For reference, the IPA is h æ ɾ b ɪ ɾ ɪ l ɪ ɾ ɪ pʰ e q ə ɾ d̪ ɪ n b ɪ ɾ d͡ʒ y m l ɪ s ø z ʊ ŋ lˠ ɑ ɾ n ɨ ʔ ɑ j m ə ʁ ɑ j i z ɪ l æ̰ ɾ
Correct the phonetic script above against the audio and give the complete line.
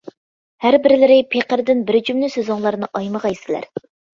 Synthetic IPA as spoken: h æ ɾ b ɪ ɾ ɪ l ɪ ɾ ɪ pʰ e q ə ɾ d̪ ɪ n b ɪ ɾ d͡ʒ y m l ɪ s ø z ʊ ŋ lˠ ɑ ɾ n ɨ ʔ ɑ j m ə ʁ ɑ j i s ɪ l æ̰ ɾ